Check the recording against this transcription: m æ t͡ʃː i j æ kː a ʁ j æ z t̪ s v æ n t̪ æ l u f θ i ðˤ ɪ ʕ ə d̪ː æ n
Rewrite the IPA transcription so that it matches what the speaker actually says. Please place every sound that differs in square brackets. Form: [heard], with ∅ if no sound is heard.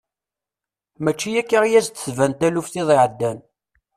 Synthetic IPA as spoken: m æ t͡ʃː i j æ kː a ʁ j æ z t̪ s v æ n t̪ æ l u f θ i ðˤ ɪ ʕ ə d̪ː æ n